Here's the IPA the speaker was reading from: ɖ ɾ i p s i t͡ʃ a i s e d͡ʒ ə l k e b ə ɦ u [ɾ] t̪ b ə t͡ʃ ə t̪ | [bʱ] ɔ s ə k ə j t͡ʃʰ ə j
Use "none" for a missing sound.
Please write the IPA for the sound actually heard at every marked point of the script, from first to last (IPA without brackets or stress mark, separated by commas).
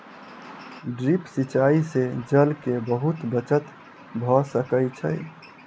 none, bʱ